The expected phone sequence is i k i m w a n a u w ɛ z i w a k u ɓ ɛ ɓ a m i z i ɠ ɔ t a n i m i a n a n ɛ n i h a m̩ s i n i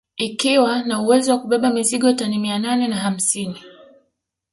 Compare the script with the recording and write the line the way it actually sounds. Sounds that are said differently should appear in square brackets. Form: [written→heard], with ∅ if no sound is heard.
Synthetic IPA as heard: i k i [m→∅] w a n a u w ɛ z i w a k u ɓ ɛ ɓ a m i z i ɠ ɔ t a n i m i a n a n ɛ n [i→a] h a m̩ s i n i